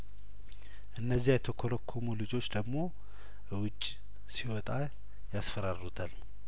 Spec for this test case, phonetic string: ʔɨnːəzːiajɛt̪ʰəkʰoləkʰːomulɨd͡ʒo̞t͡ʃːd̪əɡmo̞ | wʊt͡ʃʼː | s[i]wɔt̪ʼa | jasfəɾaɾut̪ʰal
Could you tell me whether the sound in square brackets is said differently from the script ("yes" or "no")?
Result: no